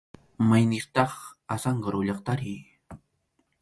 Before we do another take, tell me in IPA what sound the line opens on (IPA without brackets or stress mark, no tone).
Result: m